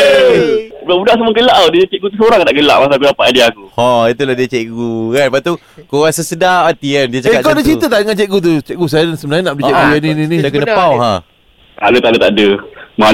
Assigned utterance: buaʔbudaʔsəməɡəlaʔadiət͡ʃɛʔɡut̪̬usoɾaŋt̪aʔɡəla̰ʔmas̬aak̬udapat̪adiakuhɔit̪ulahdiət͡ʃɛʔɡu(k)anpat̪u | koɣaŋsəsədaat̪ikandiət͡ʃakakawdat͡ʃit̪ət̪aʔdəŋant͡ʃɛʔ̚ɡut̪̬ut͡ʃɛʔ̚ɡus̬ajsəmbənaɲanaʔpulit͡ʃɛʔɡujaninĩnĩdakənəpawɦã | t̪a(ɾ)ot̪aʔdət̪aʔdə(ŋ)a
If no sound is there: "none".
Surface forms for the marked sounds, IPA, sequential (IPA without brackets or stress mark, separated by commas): k, l, m